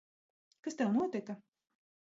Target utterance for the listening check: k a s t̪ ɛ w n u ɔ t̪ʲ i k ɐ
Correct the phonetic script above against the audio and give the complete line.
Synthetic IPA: k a s t̪ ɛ w n u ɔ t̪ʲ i k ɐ